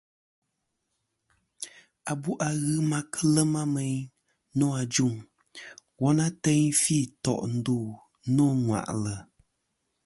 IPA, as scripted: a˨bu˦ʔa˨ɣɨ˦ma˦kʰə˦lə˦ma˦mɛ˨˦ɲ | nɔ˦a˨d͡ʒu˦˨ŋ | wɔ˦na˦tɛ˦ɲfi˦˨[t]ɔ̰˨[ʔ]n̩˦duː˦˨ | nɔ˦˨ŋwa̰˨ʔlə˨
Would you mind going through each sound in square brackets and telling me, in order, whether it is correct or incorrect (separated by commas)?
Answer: correct, correct